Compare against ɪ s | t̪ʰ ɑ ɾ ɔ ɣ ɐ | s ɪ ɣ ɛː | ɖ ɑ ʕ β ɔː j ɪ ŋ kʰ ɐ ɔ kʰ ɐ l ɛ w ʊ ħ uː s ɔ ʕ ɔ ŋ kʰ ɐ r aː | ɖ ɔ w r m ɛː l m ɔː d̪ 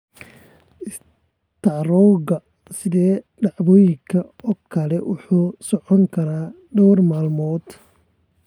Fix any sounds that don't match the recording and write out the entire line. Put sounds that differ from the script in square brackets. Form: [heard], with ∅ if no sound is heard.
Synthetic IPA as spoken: ɪ s | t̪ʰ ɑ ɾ ɔ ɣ ɐ | s ɪ [ð] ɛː | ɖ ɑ ʕ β ɔː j ɪ ŋ kʰ ɐ ɔ kʰ ɐ l ɛ w ʊ ħ uː s ɔ ʕ ɔ ŋ kʰ ɐ [ɾ] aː | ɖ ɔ w r m [aː] l m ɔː d̪